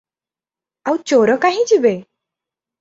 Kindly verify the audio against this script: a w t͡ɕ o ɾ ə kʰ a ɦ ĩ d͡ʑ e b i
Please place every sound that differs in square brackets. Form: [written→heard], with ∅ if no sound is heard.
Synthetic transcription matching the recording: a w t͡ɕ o ɾ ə [kʰ→k] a ɦ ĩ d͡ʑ [e→i] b [i→e]